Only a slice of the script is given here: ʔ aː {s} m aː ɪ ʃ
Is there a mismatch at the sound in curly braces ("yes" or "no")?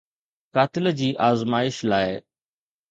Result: yes